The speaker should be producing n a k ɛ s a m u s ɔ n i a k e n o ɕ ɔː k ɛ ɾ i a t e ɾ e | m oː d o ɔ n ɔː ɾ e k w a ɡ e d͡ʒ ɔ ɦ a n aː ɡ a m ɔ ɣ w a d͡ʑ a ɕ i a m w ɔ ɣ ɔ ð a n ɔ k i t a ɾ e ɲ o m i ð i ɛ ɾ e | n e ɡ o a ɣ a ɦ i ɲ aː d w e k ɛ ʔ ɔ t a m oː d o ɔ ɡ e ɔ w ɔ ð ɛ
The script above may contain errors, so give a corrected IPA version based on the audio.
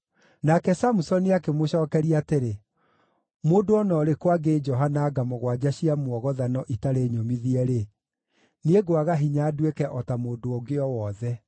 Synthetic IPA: n a k ɛ s a m u s ɔ n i a k e m o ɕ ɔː k ɛ ɾ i a t e ɾ e | m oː d o ɔ n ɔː ɾ e k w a ɡ e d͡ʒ ɔ ɦ a n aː ɡ a m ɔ ɣ w a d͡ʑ a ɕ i a m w ɔ ɣ ɔ ð a n ɔ ʔ i t a ɾ e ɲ o m i ð i ɛ ɾ e | n e ɡ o a ɣ a ɦ i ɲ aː d w e k ɛ ʔ ɔ t a m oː d o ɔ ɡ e ɔ w ɔ ð ɛ